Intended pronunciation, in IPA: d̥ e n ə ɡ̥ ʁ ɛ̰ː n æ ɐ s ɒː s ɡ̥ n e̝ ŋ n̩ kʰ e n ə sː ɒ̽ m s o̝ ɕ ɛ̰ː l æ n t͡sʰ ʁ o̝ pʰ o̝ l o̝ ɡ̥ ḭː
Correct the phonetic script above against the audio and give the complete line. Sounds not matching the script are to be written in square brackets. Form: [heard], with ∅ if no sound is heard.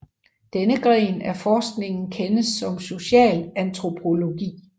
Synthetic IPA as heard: d̥ e n ə ɡ̥ ʁ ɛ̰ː n æ ɐ [f] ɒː s ɡ̥ n e̝ ŋ n̩ kʰ e n ə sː ɒ̽ m s o̝ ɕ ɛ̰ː l æ n t͡sʰ ʁ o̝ pʰ o̝ l o̝ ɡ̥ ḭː